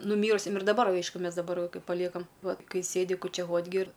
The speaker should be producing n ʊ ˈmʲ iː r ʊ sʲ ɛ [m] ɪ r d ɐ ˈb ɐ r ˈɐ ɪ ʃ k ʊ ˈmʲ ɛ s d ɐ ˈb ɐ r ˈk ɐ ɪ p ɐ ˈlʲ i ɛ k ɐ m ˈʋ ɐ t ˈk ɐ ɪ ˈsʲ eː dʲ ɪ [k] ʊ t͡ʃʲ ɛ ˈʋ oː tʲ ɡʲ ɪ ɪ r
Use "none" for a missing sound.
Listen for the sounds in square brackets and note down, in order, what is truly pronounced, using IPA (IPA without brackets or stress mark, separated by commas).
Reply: m, k